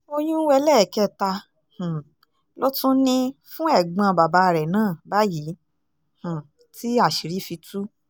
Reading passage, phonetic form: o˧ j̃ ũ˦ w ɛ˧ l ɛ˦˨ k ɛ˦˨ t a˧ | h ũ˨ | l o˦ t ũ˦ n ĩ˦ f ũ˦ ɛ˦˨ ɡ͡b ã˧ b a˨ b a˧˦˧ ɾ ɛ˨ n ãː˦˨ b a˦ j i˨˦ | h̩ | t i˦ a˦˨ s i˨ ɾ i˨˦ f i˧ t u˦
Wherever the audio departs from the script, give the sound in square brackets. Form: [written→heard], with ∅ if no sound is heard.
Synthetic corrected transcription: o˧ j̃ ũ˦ w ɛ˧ l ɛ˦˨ k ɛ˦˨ t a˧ | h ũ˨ | l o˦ t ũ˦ n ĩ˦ f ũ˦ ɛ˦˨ ɡ͡b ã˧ b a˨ b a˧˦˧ ɾ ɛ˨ n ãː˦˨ b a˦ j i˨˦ | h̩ | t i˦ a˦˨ [s→ʃ] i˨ ɾ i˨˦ f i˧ t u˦